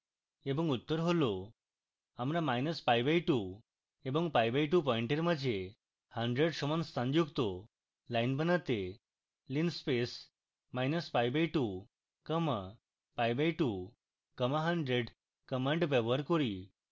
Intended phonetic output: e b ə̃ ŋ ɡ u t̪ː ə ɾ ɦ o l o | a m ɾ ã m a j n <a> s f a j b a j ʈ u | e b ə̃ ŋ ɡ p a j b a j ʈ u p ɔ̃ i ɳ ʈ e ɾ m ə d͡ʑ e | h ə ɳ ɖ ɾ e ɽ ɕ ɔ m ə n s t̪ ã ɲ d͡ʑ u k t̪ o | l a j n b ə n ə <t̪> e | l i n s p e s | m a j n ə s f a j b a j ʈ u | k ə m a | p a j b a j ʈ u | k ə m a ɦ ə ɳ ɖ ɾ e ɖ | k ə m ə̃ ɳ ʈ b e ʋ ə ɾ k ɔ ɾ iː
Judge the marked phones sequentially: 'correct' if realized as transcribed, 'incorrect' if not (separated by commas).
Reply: incorrect, correct